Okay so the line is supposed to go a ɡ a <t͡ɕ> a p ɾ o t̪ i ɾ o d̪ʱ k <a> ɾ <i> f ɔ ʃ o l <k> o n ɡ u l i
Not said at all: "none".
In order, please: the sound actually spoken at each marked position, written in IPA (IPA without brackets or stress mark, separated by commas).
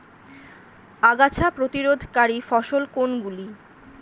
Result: t͡ɕʰ, a, i, k